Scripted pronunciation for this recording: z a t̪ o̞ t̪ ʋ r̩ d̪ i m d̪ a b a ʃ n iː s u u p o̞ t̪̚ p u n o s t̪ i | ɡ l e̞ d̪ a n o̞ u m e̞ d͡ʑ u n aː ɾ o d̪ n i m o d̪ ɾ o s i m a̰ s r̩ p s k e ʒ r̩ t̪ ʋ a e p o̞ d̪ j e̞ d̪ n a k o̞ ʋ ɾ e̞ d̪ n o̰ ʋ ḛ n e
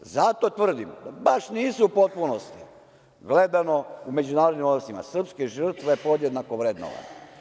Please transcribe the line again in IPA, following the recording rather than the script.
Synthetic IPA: z a t̪ o̞ t̪ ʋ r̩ d̪ i m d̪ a b a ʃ n iː s u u p o̞ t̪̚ p u n o s t̪ i | ɡ l e̞ d̪ a n o̞ u m e̞ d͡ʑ u n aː ɾ o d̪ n i m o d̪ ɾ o s i m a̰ s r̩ p s k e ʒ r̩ t̪ ʋ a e p o̞ d̪ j e̞ d̪ n a k o̞ ʋ ɾ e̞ d̪ n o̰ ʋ a̰ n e